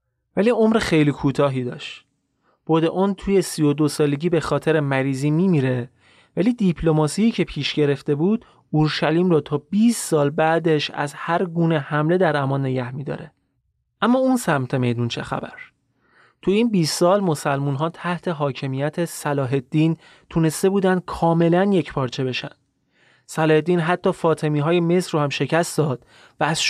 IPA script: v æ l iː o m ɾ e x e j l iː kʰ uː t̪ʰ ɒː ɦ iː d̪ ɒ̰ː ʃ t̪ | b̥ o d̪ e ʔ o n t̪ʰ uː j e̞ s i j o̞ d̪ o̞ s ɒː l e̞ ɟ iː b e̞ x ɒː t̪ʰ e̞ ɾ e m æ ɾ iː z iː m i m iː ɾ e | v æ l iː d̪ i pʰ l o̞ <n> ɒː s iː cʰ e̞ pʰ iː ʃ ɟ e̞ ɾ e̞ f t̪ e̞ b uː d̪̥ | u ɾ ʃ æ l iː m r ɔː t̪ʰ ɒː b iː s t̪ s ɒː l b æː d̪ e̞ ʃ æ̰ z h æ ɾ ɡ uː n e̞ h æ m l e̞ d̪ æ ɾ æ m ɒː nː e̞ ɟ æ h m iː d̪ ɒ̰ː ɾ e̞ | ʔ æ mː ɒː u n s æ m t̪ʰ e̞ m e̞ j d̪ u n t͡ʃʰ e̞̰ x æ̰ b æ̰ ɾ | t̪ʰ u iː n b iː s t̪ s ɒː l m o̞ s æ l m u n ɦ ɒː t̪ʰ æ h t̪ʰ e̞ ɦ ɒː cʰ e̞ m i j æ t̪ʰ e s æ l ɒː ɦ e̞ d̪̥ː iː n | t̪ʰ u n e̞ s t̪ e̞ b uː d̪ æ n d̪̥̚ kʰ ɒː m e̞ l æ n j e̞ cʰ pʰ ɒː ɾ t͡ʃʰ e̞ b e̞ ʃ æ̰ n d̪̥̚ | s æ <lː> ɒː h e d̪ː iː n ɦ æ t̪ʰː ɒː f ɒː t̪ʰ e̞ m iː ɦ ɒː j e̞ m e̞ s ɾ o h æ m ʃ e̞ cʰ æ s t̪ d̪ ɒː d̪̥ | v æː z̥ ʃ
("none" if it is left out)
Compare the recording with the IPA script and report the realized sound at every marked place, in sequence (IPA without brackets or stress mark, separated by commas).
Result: m, l